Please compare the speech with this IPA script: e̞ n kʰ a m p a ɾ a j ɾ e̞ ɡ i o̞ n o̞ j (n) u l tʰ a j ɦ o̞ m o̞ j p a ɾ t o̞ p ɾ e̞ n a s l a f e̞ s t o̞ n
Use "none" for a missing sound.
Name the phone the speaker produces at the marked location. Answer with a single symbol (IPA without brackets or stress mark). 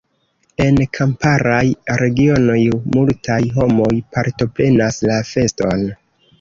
m